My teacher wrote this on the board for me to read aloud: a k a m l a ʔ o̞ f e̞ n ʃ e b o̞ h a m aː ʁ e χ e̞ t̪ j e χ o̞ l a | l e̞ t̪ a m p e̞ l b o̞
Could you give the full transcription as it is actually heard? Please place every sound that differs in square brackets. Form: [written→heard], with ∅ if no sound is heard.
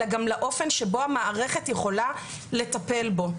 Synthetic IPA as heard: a [k→ɡ] a m l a ʔ o̞ f e̞ n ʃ e b o̞ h a m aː ʁ e χ e̞ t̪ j e χ o̞ l a | l e̞ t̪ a [m→∅] p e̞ l b o̞